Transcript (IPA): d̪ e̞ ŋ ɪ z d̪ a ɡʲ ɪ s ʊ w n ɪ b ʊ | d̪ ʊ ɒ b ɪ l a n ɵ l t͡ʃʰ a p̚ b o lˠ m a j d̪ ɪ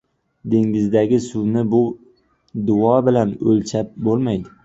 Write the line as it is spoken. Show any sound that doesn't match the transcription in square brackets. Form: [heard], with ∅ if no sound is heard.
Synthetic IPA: d̪ e̞ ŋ ɪ z d̪ a ɡʲ ɪ s ʊ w n ɪ b ʊ | d̪ ʊ ɒ b ɪ l a n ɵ l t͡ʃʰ a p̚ b o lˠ m a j d̪ ɪ